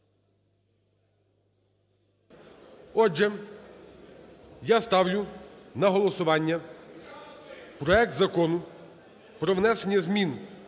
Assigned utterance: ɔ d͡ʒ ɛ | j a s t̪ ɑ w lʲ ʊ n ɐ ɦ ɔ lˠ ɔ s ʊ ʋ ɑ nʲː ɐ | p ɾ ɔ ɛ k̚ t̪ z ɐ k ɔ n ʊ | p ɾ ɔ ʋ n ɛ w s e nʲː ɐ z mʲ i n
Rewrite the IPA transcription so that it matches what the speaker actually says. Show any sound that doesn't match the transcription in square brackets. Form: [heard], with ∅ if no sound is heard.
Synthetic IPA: ɔ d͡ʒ ɛ | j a s t̪ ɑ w lʲ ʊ n ɐ ɦ ɔ lˠ ɔ s ʊ ʋ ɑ nʲː ɐ | p ɾ ɔ ɛ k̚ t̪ z ɐ k ɔ n ʊ | p ɾ ɔ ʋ n ɛ [∅] s e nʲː ɐ z mʲ i n